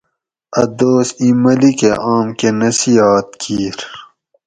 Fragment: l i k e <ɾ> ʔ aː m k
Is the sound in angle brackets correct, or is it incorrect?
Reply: incorrect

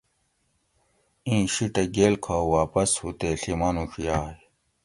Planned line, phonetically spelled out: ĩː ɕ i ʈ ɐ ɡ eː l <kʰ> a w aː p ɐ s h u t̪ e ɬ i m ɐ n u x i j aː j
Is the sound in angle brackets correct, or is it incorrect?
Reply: correct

